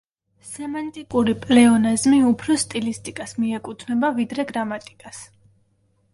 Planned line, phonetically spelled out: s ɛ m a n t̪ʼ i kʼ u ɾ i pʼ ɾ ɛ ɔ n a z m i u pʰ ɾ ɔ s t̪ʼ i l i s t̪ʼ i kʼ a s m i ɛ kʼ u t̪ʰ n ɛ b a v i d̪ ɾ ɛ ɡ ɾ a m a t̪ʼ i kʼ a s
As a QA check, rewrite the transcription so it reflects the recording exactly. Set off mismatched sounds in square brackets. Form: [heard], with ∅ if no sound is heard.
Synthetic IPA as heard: s ɛ m a n t̪ʼ i kʼ u ɾ i pʼ [l] ɛ ɔ n a z m i u pʰ ɾ ɔ s t̪ʼ i l i s t̪ʼ i kʼ a s m i ɛ kʼ u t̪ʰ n ɛ b a v i d̪ ɾ ɛ ɡ ɾ a m a t̪ʼ i kʼ a s